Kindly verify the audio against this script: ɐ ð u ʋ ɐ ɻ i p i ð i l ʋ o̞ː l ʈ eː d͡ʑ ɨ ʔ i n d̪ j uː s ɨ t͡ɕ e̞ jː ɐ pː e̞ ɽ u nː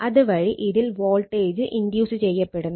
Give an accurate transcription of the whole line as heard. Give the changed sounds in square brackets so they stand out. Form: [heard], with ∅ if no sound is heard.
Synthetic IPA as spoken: ɐ ð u ʋ ɐ ɻ i [ʔ] i ð i l ʋ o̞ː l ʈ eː d͡ʑ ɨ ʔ i n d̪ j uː s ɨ t͡ɕ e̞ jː ɐ pː e̞ ɽ u nː